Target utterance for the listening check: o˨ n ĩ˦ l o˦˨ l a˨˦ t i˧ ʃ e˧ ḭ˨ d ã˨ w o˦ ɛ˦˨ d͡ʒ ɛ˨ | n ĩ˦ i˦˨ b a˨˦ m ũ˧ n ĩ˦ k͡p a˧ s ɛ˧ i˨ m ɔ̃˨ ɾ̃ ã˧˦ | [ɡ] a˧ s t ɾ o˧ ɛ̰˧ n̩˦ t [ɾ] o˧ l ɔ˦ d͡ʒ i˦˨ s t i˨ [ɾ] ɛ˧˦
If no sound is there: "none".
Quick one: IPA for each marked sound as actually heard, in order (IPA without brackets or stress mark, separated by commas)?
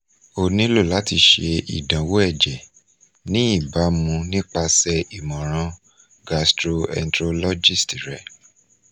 ɡ, ɾ, ɾ